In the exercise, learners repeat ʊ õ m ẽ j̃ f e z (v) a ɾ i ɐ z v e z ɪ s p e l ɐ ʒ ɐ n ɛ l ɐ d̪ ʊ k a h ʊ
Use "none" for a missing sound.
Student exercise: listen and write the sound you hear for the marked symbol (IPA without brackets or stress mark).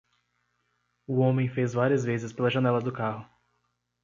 v